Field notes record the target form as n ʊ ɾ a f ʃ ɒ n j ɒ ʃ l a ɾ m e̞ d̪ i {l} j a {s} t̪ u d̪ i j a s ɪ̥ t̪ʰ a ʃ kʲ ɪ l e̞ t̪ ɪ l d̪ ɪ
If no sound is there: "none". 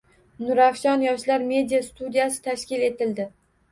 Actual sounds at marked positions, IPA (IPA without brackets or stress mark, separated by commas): none, s